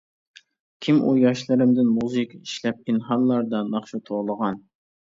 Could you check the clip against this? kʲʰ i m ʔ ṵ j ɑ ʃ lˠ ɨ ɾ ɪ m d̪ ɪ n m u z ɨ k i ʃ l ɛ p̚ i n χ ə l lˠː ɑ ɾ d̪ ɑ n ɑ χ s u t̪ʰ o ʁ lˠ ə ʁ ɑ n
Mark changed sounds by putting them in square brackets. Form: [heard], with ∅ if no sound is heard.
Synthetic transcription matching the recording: kʲʰ i m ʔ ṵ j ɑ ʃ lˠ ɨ ɾ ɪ m d̪ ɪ n m u z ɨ k i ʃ l ɛ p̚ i n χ [ɑ] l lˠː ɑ ɾ d̪ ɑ n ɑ χ [ʃ] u t̪ʰ o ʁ lˠ ə ʁ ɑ n